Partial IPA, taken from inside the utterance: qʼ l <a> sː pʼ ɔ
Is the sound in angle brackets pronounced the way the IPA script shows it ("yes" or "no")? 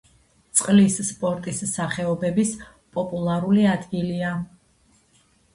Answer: no